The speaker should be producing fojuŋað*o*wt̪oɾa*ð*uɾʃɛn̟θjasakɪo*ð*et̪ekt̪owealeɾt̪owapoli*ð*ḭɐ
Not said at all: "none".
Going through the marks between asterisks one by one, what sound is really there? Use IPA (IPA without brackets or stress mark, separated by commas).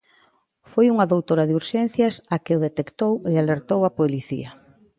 o, ð, ð, θ